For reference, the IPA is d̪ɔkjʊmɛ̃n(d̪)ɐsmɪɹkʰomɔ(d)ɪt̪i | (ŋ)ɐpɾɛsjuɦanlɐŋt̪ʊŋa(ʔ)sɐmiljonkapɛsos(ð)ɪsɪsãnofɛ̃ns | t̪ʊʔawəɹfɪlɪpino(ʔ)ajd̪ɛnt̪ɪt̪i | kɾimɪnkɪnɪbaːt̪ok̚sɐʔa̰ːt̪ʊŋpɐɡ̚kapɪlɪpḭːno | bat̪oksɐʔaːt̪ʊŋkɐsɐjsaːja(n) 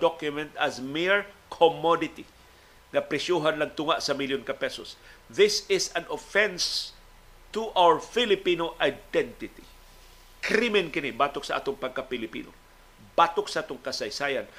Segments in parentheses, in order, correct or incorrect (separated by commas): incorrect, correct, correct, correct, correct, correct, correct